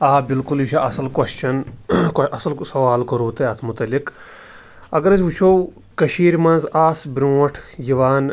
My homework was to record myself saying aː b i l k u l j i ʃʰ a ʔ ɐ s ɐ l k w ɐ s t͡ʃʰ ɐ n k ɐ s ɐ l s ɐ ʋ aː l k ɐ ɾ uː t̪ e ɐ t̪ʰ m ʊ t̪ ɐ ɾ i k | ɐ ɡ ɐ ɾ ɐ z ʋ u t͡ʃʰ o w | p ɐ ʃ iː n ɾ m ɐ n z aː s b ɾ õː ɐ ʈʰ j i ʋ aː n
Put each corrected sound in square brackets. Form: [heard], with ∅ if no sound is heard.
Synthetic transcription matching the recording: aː b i l k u l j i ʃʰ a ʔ ɐ s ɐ l k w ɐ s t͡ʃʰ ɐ n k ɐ s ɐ l s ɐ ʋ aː l k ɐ ɾ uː t̪ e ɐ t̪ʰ m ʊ t̪ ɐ [l] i k | ɐ ɡ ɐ ɾ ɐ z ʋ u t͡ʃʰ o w | [k] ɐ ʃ iː [∅] ɾ m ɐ n z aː s b ɾ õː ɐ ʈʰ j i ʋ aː n

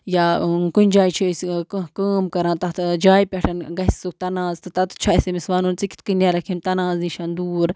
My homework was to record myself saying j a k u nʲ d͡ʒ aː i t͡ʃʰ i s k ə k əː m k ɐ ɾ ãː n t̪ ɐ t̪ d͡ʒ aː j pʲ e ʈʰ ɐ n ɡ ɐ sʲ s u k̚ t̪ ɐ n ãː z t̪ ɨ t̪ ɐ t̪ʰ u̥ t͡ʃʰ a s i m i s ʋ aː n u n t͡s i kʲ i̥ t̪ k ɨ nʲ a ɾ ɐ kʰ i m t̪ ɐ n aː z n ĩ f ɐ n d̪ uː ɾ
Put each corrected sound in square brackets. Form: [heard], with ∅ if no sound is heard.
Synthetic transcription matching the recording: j a k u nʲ d͡ʒ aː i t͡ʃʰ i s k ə k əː m k ɐ ɾ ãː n t̪ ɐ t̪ d͡ʒ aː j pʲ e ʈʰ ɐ n ɡ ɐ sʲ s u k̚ t̪ ɐ n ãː z t̪ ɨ t̪ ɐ [t̪] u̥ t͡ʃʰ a s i m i s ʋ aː n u n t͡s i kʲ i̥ t̪ k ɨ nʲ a ɾ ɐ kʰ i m t̪ ɐ n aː z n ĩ [ʃ] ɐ n d̪ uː ɾ

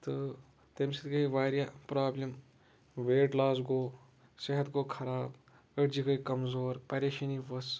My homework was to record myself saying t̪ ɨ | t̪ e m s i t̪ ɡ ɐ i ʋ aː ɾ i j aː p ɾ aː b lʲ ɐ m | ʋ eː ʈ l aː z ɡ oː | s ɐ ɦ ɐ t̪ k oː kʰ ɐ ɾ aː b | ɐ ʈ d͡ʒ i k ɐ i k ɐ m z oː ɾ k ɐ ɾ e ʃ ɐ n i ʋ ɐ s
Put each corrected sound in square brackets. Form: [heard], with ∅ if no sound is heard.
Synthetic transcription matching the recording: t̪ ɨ | t̪ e m s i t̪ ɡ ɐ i ʋ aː ɾ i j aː p ɾ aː b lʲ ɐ m | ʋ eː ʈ l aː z ɡ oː | s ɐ ɦ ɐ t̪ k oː kʰ ɐ ɾ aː b | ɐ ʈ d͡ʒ i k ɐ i k ɐ m z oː ɾ [p] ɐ ɾ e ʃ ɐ n i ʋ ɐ s

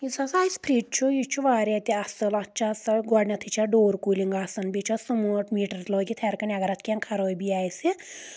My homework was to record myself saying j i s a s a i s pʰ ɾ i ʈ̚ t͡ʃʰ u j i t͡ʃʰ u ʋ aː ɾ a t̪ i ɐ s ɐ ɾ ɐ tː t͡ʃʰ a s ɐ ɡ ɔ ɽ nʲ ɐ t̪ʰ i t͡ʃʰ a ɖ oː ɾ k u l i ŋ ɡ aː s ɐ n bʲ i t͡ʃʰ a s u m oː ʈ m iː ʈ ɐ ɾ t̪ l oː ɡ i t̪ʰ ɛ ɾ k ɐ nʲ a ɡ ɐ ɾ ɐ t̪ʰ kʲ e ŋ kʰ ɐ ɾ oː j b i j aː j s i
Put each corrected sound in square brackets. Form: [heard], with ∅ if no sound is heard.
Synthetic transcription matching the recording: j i s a s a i s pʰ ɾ i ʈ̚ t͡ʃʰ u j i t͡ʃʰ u ʋ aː ɾ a t̪ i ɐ s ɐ [l] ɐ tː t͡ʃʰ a s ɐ ɡ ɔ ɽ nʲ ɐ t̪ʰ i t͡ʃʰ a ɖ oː ɾ k u l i ŋ ɡ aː s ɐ n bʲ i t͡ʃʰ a s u m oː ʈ m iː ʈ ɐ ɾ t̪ l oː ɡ i t̪ʰ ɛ ɾ k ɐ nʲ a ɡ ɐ ɾ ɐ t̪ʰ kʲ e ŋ kʰ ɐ ɾ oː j b i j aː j s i

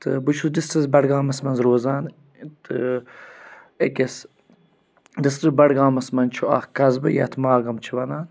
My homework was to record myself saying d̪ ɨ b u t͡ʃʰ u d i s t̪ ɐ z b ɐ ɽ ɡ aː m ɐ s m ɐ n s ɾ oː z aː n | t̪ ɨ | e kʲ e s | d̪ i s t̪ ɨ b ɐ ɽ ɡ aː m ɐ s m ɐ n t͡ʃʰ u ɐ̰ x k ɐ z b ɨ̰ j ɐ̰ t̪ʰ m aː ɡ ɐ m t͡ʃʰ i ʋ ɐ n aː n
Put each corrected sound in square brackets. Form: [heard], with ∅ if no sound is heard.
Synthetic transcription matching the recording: [t̪] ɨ b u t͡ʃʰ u d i s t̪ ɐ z b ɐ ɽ ɡ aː m ɐ s m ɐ n [z] ɾ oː z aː n | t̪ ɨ | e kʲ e s | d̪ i s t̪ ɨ b ɐ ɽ ɡ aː m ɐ s m ɐ n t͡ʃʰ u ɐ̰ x k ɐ z b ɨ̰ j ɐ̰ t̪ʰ m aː ɡ ɐ m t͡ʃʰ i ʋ ɐ n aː n

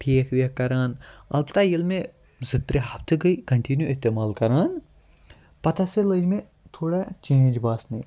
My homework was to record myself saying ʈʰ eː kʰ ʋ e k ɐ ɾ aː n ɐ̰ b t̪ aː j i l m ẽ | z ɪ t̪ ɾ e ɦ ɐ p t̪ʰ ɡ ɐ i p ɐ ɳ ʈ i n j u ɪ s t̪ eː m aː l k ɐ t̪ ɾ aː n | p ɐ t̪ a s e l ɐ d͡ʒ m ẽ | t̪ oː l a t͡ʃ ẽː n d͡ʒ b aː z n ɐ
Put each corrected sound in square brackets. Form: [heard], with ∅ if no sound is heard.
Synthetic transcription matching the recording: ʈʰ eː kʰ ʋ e k ɐ ɾ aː n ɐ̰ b t̪ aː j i l m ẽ | z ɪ t̪ ɾ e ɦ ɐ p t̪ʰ ɡ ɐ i [k] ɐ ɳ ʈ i n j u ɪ s t̪ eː m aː l k ɐ [∅] ɾ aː n | p ɐ t̪ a s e l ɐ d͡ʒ m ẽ | [t̪ʰ] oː [ɽ] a t͡ʃ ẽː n d͡ʒ b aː [s] n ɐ

